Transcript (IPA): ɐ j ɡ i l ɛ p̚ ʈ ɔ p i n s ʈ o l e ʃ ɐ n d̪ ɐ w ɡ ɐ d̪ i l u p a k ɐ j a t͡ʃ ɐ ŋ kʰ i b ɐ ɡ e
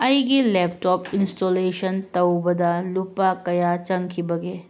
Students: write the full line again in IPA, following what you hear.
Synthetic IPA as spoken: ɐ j ɡ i l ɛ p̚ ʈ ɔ p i n s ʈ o l e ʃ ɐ n t̪ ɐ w b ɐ d̪ a l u p a k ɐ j a t͡ʃ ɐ ŋ kʰ i b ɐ ɡ e